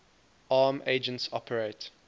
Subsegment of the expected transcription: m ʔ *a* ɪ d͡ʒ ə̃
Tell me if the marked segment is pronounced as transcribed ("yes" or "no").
no